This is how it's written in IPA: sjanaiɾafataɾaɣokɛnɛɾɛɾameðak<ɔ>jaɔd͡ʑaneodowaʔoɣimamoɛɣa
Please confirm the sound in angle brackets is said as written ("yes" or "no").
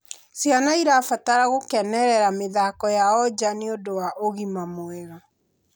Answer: yes